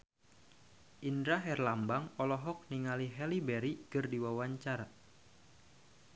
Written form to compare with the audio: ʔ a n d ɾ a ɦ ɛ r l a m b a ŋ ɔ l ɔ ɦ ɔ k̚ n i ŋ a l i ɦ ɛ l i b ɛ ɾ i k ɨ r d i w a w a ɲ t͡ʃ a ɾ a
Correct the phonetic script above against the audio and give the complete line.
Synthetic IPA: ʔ i n d ɾ a ɦ ɛ r l a m b a ŋ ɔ l ɔ ɦ ɔ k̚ n i ŋ a l i ɦ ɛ l i b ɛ ɾ i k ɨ r d i w a w a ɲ t͡ʃ a ɾ a